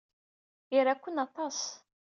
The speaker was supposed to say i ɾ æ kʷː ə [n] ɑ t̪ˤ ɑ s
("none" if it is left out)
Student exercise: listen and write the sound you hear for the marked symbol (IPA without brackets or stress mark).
n